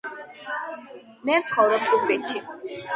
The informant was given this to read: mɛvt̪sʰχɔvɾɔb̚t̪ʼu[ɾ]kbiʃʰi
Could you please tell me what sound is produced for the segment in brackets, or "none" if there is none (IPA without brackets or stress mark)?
none